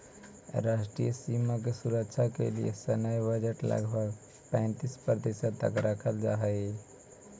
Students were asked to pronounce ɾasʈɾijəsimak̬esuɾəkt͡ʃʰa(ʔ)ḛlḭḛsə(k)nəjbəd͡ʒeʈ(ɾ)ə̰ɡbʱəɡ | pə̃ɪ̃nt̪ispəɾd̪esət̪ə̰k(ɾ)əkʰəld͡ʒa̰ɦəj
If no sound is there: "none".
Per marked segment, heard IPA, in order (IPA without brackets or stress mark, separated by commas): k, none, l, ɾ